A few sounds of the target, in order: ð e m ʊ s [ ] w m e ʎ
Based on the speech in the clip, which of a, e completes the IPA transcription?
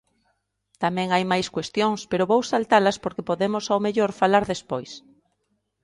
a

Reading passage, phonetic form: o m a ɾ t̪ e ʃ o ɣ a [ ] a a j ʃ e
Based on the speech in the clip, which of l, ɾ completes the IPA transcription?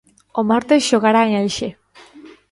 ɾ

